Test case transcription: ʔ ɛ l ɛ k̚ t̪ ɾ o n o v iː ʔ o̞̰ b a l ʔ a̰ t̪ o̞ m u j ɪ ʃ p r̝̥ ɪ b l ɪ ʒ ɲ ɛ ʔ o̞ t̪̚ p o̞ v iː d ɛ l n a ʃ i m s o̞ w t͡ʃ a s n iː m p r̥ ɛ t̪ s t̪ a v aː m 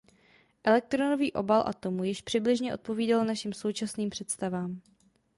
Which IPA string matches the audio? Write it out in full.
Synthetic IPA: ʔ ɛ l ɛ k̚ t̪ ɾ o n o v iː ʔ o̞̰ b a l ʔ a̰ t̪ o̞ m u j ɪ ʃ p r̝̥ ɪ b l ɪ ʒ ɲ ɛ ʔ o̞ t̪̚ p o̞ v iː d a l n a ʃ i m s o̞ w t͡ʃ a s n iː m p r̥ ɛ t̪ s t̪ a v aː m